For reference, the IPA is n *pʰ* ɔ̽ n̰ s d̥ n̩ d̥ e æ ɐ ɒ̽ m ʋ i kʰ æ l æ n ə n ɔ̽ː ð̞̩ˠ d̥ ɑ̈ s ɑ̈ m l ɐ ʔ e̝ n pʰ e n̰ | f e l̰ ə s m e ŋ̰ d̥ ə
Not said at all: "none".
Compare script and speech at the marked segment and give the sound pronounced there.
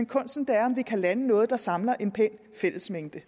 kʰ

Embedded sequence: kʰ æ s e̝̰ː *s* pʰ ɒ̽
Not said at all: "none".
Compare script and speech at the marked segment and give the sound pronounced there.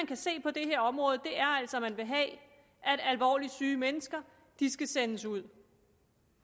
none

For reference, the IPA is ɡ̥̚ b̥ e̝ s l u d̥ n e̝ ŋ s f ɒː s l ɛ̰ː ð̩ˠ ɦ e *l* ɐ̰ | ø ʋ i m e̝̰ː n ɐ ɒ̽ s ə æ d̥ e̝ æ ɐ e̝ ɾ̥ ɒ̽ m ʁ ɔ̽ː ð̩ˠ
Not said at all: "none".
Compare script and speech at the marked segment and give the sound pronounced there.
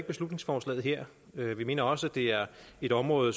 none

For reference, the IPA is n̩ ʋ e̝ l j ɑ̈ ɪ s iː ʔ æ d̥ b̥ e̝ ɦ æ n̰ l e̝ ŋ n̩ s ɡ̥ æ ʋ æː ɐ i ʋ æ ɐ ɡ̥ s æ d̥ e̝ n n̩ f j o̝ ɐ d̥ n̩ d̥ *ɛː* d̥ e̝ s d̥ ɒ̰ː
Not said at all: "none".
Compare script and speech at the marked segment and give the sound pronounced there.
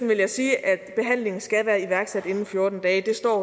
ɛː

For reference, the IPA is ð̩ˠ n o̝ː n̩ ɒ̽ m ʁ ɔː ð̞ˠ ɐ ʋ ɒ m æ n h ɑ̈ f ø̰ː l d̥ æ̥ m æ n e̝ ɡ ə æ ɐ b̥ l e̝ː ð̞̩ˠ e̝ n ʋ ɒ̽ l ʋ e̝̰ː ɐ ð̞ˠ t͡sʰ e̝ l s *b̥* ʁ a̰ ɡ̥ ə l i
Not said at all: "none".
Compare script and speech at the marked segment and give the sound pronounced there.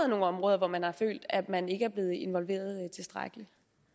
d̥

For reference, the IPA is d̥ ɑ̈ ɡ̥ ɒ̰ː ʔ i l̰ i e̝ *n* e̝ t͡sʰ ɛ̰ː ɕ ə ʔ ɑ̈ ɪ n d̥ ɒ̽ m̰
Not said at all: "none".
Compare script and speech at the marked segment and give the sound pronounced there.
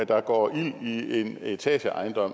n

